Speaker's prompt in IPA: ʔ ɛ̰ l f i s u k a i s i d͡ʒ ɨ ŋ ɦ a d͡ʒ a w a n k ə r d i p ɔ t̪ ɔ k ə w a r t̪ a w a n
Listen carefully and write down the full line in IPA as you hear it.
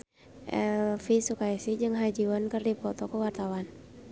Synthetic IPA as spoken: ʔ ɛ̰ l f i s u k a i s i d͡ʒ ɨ ŋ ɦ a d͡ʒ i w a n k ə r d i p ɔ t̪ ɔ k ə w a r t̪ a w a n